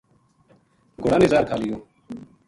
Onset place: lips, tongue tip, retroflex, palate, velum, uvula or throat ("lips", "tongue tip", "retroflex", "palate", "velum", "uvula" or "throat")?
velum